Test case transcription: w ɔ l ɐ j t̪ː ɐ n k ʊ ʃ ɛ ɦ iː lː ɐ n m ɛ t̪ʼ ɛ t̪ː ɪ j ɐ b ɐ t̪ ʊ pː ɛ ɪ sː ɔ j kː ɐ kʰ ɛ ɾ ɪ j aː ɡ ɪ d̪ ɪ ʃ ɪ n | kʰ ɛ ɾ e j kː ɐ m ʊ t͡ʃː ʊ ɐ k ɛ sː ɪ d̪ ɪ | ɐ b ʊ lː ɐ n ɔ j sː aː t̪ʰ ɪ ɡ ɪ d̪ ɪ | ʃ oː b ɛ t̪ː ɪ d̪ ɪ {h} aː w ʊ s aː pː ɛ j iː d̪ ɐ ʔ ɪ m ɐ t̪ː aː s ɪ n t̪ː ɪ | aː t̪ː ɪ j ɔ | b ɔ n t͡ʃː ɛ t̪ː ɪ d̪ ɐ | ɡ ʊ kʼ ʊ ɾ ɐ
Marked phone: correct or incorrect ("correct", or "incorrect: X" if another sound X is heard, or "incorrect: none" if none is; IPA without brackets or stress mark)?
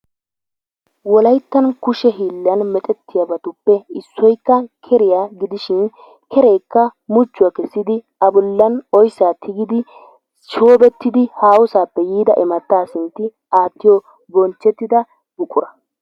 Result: correct